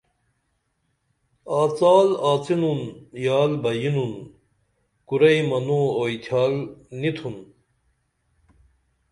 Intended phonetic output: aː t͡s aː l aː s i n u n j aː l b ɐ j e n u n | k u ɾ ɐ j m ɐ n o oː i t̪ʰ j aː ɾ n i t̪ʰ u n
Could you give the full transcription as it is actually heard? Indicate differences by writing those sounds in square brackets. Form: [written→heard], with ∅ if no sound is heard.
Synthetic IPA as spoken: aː t͡s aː l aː [s→t͡s] i n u n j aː l b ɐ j [e→i] n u n | k u ɾ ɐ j m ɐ n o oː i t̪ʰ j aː [ɾ→l] n i t̪ʰ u n